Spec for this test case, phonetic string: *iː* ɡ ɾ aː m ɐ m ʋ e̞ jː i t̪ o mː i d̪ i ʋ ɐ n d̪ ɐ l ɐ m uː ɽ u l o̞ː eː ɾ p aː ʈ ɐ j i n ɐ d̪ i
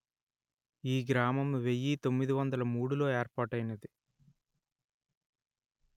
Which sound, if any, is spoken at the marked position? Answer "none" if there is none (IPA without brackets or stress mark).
iː